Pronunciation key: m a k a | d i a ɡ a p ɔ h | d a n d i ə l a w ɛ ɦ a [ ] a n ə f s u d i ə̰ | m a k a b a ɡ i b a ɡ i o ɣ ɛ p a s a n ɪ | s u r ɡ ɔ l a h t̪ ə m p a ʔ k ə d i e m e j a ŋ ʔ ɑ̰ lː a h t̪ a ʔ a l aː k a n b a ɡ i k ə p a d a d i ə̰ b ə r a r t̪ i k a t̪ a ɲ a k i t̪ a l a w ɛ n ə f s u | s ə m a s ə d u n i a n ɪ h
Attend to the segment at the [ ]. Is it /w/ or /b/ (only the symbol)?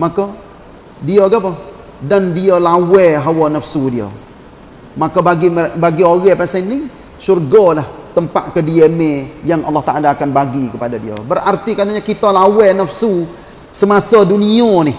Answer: w